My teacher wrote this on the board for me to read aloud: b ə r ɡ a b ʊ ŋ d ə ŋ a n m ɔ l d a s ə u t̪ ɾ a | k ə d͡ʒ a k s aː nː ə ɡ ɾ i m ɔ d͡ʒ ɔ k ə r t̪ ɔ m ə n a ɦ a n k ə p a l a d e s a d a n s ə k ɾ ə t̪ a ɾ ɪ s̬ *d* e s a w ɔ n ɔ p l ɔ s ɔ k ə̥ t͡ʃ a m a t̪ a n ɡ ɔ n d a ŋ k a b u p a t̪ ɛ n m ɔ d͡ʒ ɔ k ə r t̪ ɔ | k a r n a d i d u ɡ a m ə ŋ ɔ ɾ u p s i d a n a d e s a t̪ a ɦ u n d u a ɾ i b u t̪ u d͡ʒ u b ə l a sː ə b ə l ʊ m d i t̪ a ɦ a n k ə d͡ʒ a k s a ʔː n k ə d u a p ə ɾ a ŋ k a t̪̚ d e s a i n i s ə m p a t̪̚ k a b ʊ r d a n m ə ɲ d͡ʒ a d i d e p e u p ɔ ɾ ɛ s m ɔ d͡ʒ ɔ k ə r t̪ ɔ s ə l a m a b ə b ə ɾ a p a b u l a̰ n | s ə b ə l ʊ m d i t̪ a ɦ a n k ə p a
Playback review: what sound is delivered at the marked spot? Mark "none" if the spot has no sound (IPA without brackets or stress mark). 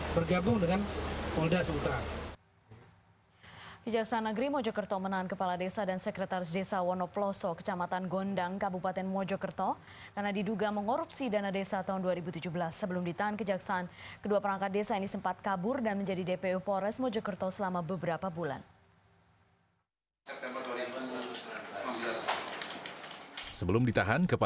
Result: d